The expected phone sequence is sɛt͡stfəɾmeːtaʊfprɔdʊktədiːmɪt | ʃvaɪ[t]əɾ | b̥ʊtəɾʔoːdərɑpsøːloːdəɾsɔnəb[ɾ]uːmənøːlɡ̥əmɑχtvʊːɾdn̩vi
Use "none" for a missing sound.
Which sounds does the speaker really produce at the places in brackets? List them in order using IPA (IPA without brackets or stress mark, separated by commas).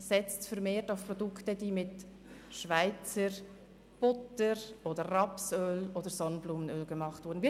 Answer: t͡s, l